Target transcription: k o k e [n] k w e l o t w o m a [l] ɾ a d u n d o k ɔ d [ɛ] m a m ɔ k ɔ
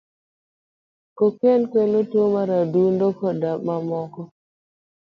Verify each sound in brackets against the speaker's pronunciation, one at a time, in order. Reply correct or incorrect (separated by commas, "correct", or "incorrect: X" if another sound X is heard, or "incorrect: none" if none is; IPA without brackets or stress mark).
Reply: correct, incorrect: none, incorrect: a